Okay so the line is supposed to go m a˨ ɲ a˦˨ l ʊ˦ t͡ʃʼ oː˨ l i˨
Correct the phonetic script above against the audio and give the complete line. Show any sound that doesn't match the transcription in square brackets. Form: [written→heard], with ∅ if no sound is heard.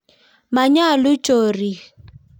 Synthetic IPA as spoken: m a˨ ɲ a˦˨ l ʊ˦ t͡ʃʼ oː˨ [l→r] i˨